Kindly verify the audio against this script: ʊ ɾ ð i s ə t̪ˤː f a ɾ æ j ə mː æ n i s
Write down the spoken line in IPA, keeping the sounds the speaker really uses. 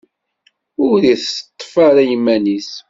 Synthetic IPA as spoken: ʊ ɾ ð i θ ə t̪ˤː f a ɾ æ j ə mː æ n i s